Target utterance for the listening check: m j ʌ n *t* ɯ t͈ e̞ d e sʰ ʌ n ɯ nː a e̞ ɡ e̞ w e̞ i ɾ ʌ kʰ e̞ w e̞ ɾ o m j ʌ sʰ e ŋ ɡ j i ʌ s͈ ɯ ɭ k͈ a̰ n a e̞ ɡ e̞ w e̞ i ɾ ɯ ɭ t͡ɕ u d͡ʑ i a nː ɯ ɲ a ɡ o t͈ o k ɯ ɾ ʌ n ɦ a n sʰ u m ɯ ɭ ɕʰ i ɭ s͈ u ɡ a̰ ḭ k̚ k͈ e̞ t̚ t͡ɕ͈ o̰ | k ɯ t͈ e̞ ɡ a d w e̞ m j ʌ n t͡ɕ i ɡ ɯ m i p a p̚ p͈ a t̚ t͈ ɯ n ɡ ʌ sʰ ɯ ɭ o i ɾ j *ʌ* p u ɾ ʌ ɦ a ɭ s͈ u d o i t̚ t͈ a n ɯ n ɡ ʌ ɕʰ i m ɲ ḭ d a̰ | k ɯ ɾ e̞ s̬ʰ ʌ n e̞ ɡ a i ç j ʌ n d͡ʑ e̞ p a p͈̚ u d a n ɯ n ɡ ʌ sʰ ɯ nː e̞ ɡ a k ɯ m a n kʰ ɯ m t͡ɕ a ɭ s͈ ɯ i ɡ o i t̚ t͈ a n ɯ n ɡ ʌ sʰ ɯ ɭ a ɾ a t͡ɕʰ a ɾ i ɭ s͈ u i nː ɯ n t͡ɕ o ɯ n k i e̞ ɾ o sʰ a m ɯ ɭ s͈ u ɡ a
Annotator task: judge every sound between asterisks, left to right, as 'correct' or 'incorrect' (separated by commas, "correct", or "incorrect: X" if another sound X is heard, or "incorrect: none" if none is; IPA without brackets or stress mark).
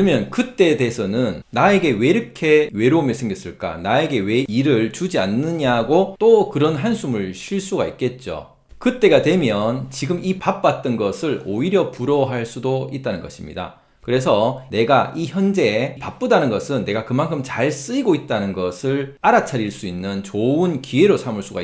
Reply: incorrect: k, correct